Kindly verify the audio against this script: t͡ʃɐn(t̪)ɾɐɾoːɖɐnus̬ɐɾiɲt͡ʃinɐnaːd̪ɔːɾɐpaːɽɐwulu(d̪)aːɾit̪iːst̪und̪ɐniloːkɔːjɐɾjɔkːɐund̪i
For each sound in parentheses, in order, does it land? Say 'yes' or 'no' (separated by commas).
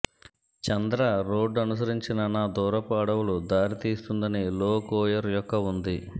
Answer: no, yes